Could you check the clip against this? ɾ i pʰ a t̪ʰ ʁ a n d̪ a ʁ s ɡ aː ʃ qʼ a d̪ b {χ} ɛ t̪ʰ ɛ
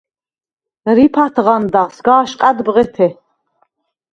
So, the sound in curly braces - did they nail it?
no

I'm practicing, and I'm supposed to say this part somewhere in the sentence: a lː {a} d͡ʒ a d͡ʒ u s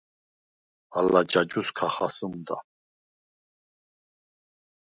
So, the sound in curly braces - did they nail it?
yes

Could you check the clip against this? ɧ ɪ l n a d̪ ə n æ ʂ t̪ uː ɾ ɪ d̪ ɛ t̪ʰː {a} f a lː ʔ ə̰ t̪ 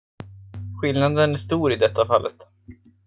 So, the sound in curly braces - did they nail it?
yes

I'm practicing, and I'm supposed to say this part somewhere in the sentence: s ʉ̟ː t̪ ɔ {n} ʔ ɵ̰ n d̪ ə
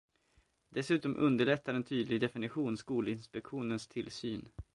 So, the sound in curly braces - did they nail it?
no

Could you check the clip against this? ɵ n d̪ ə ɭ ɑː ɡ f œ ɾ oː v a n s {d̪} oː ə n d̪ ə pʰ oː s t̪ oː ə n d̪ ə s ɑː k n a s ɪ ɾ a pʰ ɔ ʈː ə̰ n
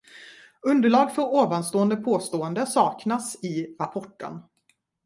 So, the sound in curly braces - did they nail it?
no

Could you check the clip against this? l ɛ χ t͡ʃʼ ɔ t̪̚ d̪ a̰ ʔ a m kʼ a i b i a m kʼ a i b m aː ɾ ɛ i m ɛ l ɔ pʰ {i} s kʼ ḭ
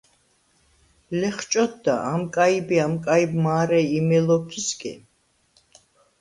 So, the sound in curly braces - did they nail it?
yes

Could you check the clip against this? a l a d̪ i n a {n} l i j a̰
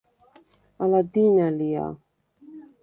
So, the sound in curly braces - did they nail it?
no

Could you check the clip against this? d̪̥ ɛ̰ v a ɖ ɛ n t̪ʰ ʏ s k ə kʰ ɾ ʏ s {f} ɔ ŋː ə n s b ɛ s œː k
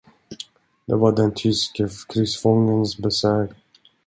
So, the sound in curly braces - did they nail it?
yes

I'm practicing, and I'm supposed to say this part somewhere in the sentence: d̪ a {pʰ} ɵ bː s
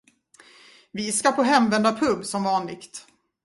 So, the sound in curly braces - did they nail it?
yes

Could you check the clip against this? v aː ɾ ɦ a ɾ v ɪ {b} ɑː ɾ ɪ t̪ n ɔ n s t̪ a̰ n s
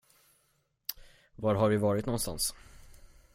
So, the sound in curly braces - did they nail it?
no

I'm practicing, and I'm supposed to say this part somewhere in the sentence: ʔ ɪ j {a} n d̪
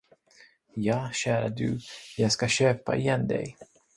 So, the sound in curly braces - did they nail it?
no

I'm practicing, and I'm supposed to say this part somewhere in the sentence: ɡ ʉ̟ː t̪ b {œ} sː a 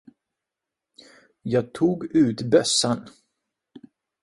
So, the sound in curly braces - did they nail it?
yes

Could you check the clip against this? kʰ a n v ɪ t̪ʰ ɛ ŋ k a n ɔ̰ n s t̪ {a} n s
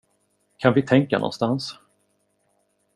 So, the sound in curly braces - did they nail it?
yes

